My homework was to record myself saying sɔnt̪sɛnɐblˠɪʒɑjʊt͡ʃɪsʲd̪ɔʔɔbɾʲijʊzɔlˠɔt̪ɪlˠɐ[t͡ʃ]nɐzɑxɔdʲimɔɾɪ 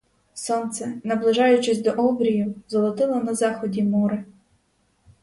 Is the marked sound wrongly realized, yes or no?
yes